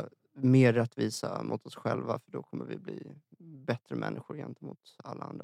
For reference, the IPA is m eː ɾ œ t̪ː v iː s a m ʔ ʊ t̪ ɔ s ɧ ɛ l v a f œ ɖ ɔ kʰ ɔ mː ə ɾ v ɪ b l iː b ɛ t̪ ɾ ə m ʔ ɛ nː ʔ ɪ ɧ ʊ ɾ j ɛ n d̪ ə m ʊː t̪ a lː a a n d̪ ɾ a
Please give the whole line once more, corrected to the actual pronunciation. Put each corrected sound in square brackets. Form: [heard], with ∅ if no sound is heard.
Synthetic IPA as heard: m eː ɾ [ɛ] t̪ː v iː s a m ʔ ʊ t̪ ɔ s ɧ ɛ l v a f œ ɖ ɔ kʰ ɔ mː ə ɾ v ɪ b l iː b ɛ t̪ ɾ ə m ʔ ɛ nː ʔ ɪ ɧ ʊ ɾ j ɛ n [t̪] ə m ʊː t̪ a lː a a n d̪ ɾ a